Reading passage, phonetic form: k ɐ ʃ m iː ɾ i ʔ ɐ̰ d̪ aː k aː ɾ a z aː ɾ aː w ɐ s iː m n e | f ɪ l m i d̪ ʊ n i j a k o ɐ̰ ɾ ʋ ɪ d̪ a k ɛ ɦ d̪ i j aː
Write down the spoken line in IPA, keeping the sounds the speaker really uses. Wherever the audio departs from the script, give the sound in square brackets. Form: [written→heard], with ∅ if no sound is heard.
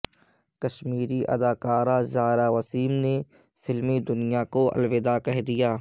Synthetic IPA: k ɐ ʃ m iː ɾ i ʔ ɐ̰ d̪ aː k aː ɾ a z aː ɾ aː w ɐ s iː m n e | f ɪ l m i d̪ ʊ n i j a k o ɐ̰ [ɾ→l] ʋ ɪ d̪ a k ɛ ɦ d̪ i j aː